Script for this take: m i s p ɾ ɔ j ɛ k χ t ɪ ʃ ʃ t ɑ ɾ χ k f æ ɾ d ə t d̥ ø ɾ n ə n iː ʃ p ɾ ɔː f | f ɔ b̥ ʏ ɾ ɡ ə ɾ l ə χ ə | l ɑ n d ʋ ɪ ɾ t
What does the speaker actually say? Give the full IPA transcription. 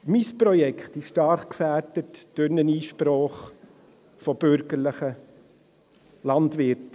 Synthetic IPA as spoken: m i s p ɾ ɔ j ɛ k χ t ɪ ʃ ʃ t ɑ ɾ χ k f æ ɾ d ə t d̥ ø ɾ n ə n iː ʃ p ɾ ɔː χ | f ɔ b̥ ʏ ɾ ɡ ə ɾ l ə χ ə | l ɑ n d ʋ ɪ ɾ t